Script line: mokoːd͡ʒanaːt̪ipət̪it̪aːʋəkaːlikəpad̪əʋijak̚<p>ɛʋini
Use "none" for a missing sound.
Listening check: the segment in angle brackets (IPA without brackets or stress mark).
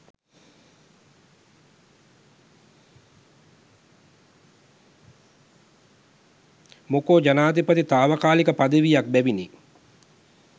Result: b